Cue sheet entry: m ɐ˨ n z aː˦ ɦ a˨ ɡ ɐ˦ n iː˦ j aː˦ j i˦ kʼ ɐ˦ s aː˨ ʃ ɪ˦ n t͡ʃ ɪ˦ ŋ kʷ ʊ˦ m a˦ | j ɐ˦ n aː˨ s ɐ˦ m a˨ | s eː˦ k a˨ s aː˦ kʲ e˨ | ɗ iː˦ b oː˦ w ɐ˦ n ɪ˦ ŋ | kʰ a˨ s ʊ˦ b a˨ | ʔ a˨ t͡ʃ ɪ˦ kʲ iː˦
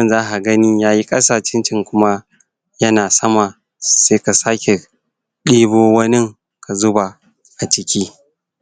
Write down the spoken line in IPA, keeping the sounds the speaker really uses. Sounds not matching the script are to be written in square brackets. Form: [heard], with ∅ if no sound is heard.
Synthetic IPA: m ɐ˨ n z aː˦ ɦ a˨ ɡ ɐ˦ n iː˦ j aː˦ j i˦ kʼ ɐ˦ s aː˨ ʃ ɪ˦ n t͡ʃ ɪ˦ ŋ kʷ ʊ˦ m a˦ | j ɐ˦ n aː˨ s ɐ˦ m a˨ | s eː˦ k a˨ s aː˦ kʲ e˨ | ɗ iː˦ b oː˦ w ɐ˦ n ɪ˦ ŋ | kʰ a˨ [z] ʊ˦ b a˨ | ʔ a˨ t͡ʃ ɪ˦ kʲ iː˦

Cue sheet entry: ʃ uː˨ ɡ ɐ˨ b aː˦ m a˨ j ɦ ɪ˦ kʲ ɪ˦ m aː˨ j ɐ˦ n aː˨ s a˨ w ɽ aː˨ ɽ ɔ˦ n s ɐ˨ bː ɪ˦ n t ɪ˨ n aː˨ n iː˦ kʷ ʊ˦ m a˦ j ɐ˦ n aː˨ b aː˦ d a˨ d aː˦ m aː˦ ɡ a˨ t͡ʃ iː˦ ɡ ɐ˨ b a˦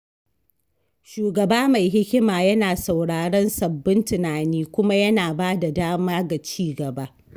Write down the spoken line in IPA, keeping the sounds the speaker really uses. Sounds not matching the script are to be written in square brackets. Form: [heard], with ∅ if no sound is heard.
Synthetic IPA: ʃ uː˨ ɡ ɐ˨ b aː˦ m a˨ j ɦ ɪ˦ kʲ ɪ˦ m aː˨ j ɐ˦ n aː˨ s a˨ w ɽ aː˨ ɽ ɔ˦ n s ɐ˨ bː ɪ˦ n t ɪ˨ n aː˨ n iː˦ kʷ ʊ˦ m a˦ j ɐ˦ n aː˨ b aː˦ d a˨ d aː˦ m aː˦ ɡ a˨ t͡ʃ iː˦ ɡ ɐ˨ b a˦

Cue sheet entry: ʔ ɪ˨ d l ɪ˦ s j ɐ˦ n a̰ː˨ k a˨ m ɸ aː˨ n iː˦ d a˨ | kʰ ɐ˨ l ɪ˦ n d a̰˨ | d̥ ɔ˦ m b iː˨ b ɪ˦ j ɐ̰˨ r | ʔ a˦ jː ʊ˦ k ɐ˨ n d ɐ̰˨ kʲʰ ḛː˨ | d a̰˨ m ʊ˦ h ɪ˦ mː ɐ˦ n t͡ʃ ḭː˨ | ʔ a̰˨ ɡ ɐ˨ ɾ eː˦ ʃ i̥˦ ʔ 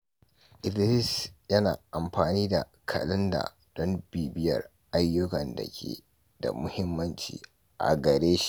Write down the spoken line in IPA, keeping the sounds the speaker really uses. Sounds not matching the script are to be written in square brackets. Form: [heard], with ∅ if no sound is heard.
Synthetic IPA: ʔ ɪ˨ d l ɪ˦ s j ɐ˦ n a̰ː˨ [ʔ] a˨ m ɸ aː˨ n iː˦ d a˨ | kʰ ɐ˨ l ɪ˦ n d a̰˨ | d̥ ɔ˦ m b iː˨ b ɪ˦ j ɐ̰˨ r | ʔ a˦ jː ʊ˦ k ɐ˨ n d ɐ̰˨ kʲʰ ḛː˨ | d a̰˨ m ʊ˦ h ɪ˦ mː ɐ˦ n t͡ʃ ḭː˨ | ʔ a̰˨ ɡ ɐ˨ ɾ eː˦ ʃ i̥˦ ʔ

